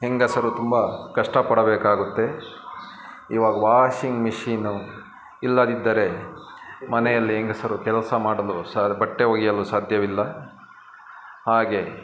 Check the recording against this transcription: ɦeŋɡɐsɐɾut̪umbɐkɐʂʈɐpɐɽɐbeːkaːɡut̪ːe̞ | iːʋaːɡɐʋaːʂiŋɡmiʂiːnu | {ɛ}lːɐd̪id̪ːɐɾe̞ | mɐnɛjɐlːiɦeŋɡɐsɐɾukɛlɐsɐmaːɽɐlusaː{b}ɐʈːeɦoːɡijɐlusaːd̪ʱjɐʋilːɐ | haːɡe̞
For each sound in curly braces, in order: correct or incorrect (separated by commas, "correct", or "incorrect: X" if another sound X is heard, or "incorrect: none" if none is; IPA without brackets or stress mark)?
incorrect: i, correct